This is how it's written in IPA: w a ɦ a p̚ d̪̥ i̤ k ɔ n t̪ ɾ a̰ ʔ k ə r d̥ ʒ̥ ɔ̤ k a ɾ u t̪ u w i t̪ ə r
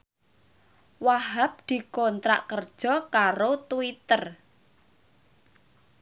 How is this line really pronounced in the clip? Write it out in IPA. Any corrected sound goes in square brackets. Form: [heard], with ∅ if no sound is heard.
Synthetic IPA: w a ɦ a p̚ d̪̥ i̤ k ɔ n t̪ ɾ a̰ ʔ k ə r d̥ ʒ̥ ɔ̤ k a ɾ [o] t̪ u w i t̪ ə r